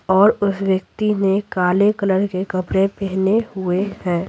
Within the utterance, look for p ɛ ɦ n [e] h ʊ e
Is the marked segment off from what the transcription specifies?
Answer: no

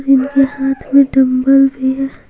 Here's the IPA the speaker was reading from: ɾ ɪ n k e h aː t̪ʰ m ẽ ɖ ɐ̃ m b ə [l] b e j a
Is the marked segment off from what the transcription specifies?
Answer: no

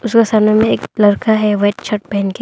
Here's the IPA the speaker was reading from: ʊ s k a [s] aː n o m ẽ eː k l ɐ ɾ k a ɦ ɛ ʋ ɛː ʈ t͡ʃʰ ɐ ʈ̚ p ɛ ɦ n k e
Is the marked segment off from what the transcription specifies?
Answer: no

